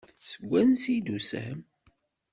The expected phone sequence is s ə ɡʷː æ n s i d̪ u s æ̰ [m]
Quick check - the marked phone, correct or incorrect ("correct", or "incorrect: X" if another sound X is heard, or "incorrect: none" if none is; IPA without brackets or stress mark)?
correct